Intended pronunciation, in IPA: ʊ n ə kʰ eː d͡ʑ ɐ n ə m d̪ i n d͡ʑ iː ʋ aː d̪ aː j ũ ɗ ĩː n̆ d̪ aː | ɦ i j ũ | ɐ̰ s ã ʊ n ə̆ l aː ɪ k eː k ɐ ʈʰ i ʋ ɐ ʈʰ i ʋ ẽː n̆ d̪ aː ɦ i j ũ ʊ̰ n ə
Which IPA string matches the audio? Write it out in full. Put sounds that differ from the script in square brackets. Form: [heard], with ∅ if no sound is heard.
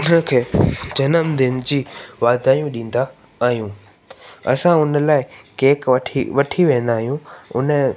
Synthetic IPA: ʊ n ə kʰ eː d͡ʑ ɐ n ə m d̪ [ɪ] n d͡ʑ iː ʋ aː d̪ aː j ũ ɗ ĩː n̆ d̪ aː | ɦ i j ũ | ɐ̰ s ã ʊ n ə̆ l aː ɪ k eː k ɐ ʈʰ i ʋ ɐ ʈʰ i ʋ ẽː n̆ d̪ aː ɦ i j ũ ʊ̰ n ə